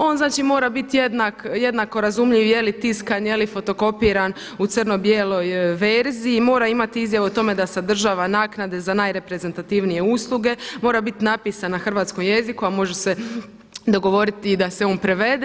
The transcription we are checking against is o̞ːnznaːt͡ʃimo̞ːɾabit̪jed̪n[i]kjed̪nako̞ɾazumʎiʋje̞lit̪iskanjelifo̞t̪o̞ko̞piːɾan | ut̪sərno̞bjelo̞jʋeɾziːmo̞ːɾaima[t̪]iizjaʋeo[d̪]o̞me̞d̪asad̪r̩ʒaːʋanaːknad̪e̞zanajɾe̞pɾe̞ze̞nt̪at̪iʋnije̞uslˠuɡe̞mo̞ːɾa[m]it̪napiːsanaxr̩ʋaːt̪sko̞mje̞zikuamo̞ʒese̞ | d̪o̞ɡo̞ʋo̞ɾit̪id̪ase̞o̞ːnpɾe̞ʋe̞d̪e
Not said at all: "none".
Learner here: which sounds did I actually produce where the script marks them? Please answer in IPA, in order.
a, t̪, t̪, b

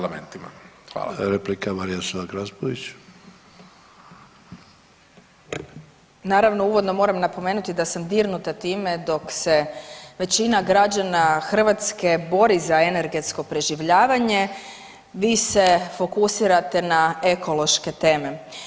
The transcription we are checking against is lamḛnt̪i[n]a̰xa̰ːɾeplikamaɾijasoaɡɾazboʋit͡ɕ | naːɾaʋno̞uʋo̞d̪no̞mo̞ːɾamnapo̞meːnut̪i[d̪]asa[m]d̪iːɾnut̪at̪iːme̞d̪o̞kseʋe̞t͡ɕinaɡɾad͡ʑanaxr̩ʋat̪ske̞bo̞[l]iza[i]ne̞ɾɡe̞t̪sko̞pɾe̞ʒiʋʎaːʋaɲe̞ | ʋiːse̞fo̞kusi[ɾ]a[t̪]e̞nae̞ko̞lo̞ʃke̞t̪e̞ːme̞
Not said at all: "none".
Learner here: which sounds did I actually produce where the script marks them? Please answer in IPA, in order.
m, d̪, m, ɾ, e, ɾ, t̪

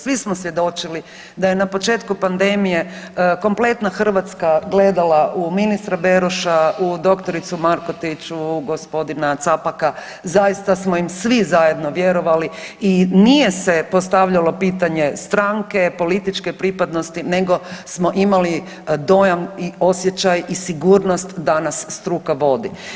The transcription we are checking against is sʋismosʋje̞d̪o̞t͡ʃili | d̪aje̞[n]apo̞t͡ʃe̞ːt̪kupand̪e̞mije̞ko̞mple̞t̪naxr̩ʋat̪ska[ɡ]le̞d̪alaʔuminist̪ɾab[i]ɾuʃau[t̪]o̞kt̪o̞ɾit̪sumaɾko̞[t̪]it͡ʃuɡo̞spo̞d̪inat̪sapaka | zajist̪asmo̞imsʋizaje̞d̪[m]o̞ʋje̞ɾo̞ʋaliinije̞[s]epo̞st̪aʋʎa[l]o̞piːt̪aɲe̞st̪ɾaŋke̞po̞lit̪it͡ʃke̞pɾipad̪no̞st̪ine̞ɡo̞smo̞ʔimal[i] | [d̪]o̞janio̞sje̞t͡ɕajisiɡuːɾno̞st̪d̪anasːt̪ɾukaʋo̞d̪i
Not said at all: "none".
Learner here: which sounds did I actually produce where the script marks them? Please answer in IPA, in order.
n, ɡ, e, d̪, t̪, n, s, l, i, d̪

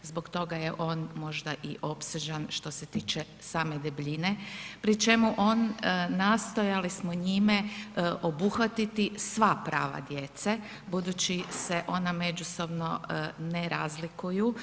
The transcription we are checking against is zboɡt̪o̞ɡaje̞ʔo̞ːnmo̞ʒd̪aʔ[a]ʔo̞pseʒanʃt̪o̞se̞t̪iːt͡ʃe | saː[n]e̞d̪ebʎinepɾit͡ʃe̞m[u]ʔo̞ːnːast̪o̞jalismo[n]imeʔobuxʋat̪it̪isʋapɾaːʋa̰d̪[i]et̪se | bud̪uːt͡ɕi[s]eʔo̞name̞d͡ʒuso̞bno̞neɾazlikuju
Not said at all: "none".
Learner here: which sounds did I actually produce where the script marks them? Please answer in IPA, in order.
i, m, u, ɲ, j, s

